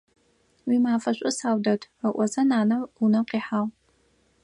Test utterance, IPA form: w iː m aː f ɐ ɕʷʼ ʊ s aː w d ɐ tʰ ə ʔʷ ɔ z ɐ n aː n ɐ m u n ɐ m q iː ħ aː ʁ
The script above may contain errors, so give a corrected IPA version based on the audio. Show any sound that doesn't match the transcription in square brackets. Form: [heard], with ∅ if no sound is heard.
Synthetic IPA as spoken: w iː m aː f ɐ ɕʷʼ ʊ s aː w d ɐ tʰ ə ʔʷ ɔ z ɐ n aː n ɐ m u n ɐ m q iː ħ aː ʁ